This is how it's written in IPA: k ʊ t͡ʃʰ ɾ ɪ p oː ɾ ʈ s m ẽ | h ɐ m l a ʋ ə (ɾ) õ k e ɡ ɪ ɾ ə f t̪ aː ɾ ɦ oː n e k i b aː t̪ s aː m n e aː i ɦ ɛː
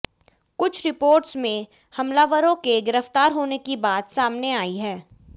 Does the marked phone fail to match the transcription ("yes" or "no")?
no